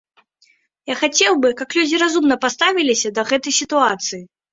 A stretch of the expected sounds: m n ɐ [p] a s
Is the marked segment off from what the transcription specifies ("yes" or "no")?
no